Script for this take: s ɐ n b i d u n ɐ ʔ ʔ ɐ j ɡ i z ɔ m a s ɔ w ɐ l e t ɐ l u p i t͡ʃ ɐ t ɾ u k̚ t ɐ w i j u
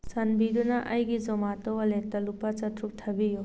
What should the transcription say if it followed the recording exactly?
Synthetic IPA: s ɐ n b i d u n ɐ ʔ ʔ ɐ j ɡ i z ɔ m a t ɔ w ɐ l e t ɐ l u p a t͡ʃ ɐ t ɾ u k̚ tʰ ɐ b i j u